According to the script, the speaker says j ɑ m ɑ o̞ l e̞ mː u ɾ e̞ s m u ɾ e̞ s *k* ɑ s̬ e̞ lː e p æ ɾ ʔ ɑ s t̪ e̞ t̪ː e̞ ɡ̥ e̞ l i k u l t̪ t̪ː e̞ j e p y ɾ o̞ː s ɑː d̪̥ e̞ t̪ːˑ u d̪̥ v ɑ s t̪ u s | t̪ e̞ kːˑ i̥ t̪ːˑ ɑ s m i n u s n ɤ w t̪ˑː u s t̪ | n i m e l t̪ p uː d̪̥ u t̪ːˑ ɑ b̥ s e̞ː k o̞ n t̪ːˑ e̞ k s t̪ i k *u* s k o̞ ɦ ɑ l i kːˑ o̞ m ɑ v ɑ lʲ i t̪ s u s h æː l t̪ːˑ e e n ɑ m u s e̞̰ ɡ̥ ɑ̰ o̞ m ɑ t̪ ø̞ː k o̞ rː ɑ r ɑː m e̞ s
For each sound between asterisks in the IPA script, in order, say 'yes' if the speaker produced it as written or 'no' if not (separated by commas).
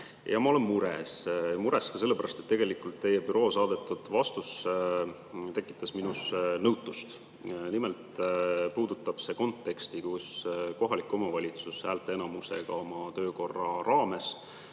yes, yes